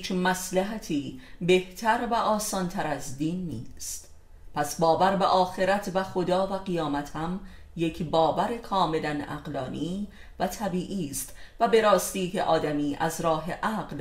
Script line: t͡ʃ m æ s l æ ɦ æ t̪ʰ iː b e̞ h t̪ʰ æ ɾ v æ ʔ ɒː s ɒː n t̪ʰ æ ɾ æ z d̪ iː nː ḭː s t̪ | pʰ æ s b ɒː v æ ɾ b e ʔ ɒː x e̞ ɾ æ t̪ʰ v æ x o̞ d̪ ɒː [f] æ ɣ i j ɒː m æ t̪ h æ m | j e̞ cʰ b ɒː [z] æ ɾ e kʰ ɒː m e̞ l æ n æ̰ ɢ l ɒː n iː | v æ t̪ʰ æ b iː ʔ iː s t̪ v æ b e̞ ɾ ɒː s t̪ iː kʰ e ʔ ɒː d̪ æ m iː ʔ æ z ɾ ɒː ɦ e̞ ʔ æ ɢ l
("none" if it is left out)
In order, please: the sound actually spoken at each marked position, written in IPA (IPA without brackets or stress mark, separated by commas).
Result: v, v